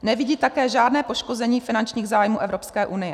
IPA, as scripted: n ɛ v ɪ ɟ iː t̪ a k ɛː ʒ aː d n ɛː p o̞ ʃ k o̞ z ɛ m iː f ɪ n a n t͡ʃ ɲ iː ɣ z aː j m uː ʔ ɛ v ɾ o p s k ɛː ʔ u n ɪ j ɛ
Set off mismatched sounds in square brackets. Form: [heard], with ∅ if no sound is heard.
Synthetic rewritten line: n ɛ v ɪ ɟ iː t̪ a k ɛː ʒ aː d n ɛː p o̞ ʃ k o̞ z ɛ [ɲ] iː f ɪ n a n t͡ʃ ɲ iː ɣ z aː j m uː ʔ ɛ v ɾ o p s k ɛː ʔ u n ɪ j ɛ